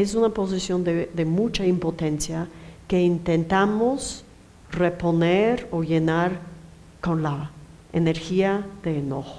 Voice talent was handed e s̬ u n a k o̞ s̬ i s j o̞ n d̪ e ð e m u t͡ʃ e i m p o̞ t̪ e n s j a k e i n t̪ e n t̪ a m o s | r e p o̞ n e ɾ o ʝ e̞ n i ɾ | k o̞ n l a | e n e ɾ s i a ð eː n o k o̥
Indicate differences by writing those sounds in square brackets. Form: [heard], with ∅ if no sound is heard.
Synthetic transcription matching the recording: e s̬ u n a [p] o̞ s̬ i s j o̞ n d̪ e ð e m u t͡ʃ [a] i m p o̞ t̪ e n s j a k e i n t̪ e n t̪ a m o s | r e p o̞ n e ɾ o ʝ e̞ n [a] ɾ | k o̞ n l a | e n e ɾ [x] i a ð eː n o [x] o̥